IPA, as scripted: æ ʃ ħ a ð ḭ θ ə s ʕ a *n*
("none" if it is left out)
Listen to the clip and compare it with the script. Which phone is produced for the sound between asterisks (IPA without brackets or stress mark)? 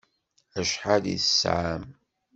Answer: m